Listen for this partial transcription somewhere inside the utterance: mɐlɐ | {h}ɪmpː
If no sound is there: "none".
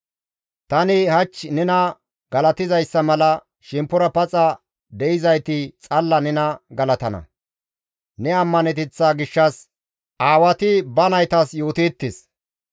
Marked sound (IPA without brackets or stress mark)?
ʃ